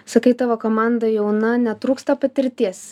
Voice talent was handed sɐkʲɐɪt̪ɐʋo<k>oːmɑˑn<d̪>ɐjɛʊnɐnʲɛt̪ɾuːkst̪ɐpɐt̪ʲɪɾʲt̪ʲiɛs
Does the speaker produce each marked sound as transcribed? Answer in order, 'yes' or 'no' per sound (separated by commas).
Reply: yes, yes